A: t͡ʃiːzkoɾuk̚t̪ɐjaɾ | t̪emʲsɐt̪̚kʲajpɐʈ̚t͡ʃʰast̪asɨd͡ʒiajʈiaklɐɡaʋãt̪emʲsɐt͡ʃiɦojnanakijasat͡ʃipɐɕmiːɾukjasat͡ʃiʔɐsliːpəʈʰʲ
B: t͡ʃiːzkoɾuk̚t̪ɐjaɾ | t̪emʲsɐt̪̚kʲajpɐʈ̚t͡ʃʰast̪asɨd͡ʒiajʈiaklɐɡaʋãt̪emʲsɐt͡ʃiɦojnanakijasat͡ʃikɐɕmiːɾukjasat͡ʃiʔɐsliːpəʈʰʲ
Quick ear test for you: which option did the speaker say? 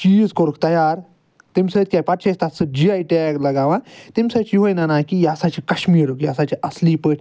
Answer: B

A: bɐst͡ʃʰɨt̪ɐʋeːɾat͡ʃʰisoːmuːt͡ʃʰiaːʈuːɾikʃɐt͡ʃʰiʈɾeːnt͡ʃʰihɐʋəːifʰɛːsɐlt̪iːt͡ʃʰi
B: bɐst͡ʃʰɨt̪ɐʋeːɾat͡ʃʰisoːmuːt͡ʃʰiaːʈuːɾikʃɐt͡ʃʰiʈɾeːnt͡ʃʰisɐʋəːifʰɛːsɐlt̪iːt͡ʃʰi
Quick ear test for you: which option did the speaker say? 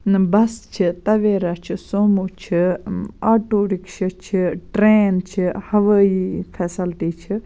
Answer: A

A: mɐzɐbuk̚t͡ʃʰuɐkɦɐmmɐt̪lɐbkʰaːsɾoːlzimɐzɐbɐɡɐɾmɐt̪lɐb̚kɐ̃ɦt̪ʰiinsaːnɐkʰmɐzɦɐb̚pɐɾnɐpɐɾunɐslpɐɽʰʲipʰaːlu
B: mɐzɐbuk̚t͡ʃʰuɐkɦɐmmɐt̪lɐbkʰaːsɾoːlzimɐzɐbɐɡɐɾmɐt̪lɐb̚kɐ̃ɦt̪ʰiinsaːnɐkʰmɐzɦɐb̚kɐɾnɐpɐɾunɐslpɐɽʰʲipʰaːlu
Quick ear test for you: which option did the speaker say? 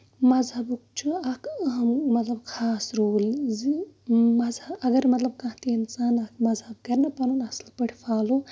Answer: B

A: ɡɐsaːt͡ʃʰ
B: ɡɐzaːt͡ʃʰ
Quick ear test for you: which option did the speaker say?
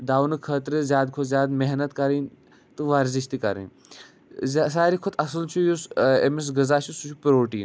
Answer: B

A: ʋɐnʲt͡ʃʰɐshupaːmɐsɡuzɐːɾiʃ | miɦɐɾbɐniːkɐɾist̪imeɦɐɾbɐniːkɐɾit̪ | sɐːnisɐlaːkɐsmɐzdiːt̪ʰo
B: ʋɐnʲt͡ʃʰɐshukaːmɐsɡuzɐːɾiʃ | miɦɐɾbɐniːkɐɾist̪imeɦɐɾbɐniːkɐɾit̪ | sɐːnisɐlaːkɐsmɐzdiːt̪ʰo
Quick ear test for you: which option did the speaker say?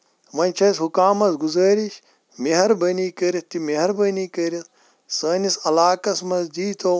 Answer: B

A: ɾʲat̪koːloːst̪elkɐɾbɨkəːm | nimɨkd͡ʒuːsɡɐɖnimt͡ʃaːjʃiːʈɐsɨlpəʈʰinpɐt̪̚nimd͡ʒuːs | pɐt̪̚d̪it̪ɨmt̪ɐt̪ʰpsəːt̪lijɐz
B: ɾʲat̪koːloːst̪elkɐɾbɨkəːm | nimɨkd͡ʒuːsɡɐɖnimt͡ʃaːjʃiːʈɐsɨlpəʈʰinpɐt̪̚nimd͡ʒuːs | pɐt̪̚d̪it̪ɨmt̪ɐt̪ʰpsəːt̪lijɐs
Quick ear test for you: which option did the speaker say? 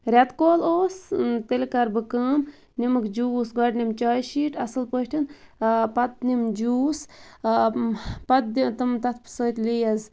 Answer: A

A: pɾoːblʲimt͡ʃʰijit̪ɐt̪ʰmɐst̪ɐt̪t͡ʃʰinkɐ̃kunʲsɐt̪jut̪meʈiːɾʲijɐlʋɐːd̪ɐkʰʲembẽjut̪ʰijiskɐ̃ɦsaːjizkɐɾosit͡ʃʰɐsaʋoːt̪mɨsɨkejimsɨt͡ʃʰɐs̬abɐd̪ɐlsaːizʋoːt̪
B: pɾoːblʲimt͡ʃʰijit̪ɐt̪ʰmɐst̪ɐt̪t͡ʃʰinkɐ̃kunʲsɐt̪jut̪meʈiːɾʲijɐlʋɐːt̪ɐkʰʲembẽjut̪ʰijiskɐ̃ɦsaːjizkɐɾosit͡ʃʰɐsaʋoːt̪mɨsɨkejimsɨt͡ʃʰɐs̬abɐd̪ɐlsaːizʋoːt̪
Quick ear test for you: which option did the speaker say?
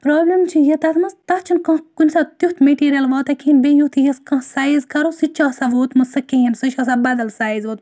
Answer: B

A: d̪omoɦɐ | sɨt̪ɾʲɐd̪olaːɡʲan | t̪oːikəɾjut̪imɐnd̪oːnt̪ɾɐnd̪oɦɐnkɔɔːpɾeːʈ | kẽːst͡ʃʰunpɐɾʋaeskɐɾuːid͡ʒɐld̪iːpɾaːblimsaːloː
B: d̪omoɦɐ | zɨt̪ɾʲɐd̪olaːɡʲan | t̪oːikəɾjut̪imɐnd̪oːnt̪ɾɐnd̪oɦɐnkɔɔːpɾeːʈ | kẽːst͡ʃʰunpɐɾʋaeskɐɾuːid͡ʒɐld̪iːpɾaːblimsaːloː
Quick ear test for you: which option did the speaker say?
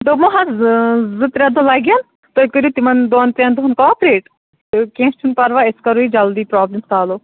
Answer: B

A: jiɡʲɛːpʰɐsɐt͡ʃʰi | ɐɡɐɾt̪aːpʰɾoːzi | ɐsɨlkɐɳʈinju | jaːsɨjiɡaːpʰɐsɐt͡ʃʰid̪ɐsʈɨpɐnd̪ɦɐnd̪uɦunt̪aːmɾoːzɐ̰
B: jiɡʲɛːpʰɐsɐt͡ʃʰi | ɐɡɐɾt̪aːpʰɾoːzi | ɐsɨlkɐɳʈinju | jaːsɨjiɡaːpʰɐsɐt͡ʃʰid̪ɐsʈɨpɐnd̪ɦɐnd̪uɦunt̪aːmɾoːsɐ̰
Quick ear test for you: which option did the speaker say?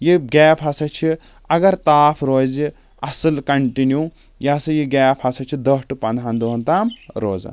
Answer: A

